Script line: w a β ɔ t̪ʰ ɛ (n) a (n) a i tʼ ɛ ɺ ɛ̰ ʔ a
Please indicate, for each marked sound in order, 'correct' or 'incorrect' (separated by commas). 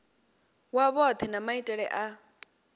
correct, incorrect